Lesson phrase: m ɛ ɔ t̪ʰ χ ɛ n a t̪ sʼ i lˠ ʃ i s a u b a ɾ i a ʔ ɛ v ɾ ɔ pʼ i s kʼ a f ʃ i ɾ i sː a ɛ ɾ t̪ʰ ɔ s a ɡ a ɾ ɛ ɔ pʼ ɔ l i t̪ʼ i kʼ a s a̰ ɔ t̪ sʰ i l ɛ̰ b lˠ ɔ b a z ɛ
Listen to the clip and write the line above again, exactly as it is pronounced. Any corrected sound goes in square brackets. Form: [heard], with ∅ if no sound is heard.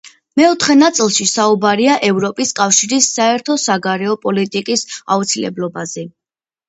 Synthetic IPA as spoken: m ɛ ɔ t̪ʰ χ ɛ n a t̪ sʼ i lˠ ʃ i s a u b a ɾ i a ʔ ɛ v ɾ ɔ pʼ i s kʼ a f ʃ i ɾ i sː a ɛ ɾ t̪ʰ ɔ s a ɡ a ɾ ɛ ɔ pʼ ɔ l i t̪ʼ i kʼ [i] s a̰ [u] t̪ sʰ i l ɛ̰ b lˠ ɔ b a z ɛ